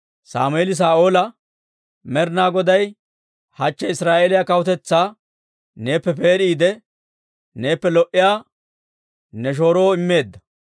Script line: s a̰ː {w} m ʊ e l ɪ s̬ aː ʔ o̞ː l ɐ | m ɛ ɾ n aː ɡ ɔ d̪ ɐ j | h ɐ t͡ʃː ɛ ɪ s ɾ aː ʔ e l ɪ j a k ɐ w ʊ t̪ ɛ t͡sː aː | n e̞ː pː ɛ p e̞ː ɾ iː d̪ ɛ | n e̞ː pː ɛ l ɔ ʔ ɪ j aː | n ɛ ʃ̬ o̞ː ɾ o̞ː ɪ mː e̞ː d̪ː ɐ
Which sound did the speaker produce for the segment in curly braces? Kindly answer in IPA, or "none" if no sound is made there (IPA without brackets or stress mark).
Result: none